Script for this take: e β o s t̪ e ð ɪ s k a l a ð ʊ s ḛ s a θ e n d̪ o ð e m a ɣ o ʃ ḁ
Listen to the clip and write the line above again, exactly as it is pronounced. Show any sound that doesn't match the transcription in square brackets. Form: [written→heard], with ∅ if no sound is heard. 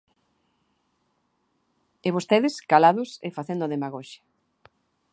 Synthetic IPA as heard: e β o s t̪ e ð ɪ s k a l a ð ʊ s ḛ [s→f] a θ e n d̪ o ð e m a ɣ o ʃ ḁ